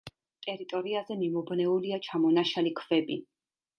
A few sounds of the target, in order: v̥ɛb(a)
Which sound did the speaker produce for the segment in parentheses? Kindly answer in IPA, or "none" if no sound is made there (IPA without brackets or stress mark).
i